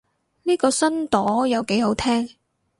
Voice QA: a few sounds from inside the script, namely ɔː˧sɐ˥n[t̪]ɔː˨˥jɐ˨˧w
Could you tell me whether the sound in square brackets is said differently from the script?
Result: no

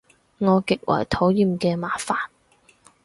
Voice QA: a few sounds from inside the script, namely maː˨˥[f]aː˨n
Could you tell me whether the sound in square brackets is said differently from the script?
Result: no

